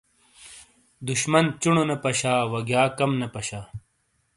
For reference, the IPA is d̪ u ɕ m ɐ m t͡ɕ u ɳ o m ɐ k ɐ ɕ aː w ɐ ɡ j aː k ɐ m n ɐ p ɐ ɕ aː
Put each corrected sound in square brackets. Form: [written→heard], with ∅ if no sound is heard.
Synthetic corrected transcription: d̪ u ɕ m ɐ [m→n] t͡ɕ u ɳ o [m→n] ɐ [k→p] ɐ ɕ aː w ɐ ɡ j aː k ɐ m n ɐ p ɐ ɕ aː